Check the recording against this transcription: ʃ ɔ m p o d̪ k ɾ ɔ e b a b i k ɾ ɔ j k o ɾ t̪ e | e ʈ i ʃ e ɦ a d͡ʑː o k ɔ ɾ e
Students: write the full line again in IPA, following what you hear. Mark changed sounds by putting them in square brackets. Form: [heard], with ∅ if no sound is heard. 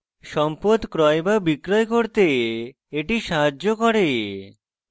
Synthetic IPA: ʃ ɔ m p o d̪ k ɾ ɔ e b a b i k ɾ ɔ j k o ɾ t̪ e | e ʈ i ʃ [a] ɦ a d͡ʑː o k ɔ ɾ e